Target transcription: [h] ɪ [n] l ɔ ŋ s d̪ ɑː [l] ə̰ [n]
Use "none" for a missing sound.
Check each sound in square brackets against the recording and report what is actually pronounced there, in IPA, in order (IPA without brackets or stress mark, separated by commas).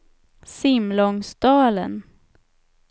s, m, l, n